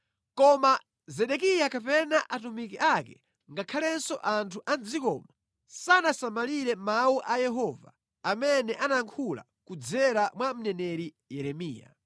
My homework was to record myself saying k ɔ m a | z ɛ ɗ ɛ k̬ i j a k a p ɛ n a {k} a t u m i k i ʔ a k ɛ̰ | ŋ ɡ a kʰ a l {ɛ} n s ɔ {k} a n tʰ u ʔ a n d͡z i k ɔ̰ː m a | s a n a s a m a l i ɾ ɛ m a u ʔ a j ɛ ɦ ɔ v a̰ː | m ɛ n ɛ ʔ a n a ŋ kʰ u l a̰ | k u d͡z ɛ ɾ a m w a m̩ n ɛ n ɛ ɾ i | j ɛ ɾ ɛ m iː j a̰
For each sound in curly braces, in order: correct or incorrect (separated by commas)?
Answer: incorrect, correct, incorrect